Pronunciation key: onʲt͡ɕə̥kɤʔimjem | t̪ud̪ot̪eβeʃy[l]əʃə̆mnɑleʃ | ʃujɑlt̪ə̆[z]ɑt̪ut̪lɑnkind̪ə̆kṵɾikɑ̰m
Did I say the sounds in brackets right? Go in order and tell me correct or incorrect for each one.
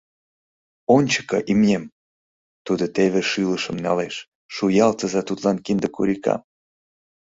correct, correct

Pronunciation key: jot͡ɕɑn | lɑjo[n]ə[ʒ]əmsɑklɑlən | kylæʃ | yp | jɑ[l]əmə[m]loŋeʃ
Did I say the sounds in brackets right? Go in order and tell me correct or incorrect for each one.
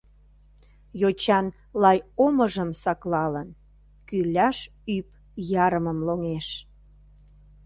incorrect: m, correct, incorrect: ɾ, correct

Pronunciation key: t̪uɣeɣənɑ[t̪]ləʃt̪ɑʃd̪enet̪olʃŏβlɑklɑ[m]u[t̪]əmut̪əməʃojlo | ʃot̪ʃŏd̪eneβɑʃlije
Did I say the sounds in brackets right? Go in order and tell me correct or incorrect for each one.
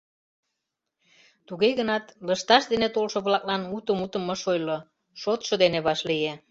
correct, incorrect: n, correct

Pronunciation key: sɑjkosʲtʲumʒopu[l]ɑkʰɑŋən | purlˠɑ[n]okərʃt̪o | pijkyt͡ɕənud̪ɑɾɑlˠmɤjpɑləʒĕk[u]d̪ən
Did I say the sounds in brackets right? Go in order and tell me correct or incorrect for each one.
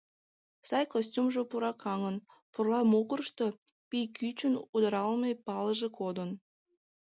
incorrect: ɾ, incorrect: m, incorrect: o

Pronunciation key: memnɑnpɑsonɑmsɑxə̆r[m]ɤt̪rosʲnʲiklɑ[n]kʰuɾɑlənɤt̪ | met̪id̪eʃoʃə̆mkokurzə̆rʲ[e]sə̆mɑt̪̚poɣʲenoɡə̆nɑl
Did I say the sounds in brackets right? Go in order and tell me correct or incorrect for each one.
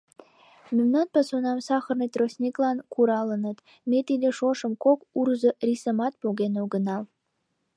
incorrect: n, correct, incorrect: i

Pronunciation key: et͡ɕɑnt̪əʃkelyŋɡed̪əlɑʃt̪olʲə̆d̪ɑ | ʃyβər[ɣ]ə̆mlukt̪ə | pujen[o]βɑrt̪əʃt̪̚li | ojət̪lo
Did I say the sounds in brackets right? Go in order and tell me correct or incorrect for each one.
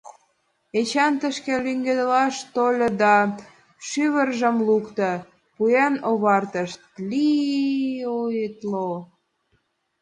incorrect: ʒ, correct

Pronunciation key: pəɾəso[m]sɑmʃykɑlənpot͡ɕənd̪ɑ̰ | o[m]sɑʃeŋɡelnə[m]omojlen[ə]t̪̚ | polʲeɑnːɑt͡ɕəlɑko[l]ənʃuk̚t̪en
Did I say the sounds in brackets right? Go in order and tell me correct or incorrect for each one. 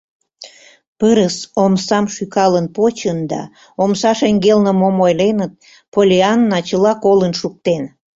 correct, correct, correct, correct, correct

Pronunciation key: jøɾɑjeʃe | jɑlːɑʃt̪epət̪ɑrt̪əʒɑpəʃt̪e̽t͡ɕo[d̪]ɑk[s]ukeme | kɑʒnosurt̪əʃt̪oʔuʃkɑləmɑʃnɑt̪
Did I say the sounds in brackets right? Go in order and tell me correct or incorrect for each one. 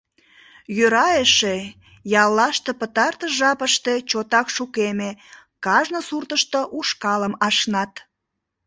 incorrect: t̪, incorrect: ʃ

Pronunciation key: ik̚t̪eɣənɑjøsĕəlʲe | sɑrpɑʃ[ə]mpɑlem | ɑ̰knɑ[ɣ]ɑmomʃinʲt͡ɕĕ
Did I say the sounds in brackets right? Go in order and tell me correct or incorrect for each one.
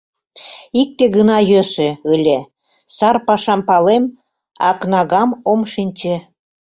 incorrect: ɑ, correct

